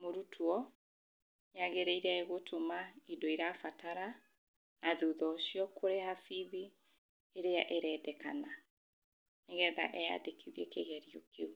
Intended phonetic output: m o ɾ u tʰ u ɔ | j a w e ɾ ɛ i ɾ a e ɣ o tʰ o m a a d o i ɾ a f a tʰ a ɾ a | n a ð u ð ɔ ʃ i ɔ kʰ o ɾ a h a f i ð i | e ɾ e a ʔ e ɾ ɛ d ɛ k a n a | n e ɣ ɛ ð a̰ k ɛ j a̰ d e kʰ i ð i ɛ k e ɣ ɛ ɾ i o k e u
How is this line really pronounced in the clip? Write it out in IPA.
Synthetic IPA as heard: m o ɾ u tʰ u ɔ | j a ɣ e ɾ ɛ i ɾ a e ɣ o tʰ o m a i d o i ɾ a f a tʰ a ɾ a | n a ð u ð ɔ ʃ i ɔ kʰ o ɾ e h a f i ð i | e ɾ e a ʔ e ɾ ɛ d ɛ k a n a | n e ɣ ɛ ð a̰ ʔ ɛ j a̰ d e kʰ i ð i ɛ k e ɣ ɛ ɾ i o k e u